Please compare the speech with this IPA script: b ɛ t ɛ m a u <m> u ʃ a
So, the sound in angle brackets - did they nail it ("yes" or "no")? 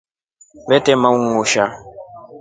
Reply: no